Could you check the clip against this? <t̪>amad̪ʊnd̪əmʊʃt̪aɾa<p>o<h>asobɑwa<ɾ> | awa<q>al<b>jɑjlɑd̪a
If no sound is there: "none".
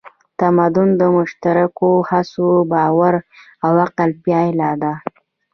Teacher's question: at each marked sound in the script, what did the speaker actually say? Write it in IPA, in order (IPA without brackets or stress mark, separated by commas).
t̪, k, h, ɾ, q, p